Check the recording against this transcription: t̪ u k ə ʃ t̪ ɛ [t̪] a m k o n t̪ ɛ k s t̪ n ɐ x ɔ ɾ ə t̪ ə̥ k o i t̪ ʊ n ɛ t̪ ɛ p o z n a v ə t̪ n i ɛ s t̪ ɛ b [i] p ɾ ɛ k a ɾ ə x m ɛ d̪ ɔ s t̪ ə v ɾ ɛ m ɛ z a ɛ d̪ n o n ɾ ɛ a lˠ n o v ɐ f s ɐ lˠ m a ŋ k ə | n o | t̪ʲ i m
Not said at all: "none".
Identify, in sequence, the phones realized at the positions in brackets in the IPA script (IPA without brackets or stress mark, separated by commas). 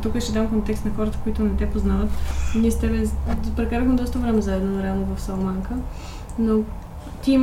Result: d̪, ɛ